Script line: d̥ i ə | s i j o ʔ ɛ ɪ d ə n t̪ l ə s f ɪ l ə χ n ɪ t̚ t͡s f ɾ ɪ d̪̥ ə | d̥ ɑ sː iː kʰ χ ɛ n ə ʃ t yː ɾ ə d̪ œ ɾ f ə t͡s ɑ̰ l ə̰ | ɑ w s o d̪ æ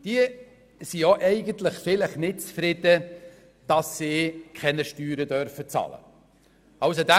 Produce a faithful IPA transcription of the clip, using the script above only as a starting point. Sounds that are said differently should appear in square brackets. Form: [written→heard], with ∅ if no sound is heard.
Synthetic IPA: d̥ i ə | s i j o ʔ ɛ ɪ [d→ɡ] ə n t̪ l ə [s→χ] f ɪ l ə χ n ɪ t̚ t͡s f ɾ ɪ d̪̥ ə | d̥ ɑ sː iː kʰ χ ɛ n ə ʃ t yː ɾ ə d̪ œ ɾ f ə t͡s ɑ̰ l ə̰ | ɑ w s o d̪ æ